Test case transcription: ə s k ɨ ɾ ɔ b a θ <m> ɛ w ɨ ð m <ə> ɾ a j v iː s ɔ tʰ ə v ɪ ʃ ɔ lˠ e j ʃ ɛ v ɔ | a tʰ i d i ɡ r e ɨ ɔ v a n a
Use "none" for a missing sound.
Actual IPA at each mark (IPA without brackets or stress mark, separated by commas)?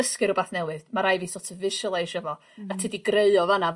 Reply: n, a